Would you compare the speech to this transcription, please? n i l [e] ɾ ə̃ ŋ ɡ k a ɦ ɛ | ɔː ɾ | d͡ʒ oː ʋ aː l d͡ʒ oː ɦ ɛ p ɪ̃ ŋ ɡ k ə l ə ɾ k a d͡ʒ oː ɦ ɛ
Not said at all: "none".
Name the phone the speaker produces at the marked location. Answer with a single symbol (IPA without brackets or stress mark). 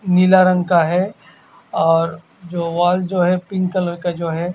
a